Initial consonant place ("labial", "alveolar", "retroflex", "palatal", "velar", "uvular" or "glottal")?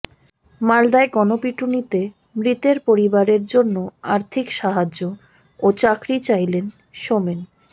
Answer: labial